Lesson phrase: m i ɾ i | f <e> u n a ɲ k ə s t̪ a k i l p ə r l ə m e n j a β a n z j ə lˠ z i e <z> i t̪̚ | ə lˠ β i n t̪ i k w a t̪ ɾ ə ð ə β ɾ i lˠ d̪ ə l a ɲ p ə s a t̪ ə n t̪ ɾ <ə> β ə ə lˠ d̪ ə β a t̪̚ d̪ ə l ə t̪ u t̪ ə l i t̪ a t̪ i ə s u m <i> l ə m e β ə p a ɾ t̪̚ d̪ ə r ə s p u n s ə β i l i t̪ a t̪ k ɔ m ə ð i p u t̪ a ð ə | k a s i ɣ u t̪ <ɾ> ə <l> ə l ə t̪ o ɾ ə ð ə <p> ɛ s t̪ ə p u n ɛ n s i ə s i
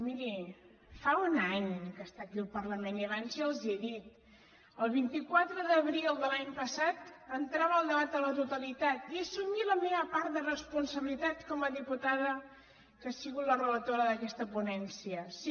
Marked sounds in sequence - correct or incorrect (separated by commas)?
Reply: incorrect, incorrect, incorrect, correct, incorrect, incorrect, incorrect